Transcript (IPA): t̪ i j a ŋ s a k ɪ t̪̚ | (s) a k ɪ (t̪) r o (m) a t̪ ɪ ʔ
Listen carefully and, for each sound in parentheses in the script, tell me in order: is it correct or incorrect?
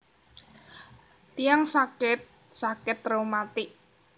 correct, correct, correct

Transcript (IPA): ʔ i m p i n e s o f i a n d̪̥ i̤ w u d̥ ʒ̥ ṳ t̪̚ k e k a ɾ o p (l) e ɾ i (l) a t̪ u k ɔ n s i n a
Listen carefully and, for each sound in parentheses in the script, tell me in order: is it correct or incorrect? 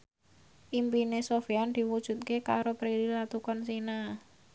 incorrect: ɾ, correct

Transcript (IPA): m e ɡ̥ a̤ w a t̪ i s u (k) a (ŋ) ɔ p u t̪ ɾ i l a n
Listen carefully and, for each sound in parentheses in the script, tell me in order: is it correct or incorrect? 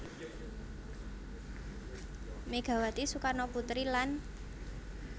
correct, incorrect: n

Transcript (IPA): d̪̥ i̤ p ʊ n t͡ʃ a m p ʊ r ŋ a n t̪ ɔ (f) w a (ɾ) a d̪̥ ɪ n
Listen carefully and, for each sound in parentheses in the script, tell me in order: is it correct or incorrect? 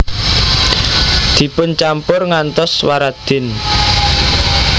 incorrect: s, correct

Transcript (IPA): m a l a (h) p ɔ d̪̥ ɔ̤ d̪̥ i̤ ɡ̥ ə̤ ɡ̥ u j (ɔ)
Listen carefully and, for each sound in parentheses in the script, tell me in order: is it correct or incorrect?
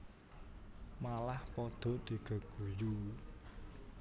correct, incorrect: u

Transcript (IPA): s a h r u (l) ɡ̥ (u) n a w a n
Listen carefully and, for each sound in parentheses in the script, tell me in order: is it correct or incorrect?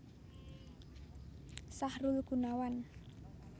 correct, correct

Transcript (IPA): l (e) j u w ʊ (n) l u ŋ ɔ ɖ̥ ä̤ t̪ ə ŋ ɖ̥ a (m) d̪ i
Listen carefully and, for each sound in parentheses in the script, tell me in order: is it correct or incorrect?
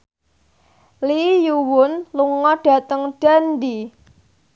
incorrect: i, correct, incorrect: n

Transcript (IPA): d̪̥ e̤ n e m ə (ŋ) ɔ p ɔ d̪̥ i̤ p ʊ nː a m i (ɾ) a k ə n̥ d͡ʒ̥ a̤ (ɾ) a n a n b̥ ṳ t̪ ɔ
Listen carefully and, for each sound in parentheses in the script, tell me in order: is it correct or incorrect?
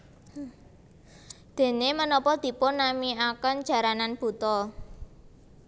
incorrect: n, incorrect: none, correct

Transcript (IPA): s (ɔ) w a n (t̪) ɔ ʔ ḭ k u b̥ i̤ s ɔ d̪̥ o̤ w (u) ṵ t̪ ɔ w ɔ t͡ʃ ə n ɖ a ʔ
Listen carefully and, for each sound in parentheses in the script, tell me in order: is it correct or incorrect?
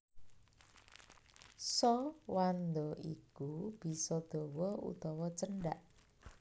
correct, incorrect: d̪, incorrect: ɔ

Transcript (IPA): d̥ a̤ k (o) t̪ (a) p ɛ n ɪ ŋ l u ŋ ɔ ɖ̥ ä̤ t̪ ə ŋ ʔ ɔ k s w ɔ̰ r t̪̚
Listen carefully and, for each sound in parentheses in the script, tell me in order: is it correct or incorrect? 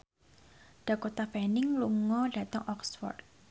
correct, correct

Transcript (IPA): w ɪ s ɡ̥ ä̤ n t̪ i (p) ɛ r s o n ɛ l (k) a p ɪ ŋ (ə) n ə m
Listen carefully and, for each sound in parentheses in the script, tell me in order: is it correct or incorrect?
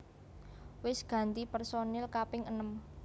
correct, correct, correct

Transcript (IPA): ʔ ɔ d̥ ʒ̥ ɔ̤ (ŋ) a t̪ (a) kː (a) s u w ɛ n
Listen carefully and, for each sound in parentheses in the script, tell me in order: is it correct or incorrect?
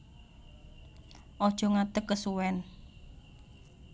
correct, incorrect: ə, incorrect: ə

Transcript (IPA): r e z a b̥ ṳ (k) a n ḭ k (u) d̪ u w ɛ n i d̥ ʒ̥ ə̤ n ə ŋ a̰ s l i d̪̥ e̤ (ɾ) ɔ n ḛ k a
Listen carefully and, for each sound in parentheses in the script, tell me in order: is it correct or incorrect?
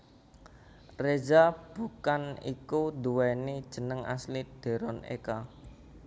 correct, correct, correct

